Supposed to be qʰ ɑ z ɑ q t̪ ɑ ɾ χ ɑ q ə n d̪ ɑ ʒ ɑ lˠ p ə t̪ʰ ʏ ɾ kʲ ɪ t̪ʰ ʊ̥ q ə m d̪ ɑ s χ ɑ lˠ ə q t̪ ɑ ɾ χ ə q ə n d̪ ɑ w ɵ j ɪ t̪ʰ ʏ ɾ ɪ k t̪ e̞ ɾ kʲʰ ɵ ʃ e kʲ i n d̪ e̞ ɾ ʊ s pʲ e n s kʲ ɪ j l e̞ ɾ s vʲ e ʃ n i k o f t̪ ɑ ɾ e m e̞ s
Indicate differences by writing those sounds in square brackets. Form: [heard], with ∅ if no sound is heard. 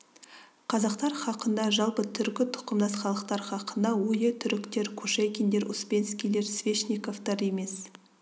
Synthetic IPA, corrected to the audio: qʰ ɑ z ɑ q t̪ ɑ ɾ χ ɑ q ə n d̪ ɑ ʒ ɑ lˠ p ə t̪ʰ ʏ ɾ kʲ ɪ t̪ʰ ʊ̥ q ə m d̪ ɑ s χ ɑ lˠ ə q t̪ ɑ ɾ χ [ɑ] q ə n d̪ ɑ w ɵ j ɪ t̪ʰ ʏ ɾ ɪ k t̪ e̞ ɾ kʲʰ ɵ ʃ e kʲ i n d̪ e̞ ɾ ʊ s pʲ e n s kʲ [i] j l e̞ ɾ s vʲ e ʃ n i k o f t̪ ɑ ɾ e m e̞ s